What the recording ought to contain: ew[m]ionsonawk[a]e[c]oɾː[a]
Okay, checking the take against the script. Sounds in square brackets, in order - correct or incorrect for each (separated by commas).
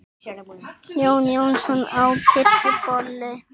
incorrect, incorrect, incorrect, incorrect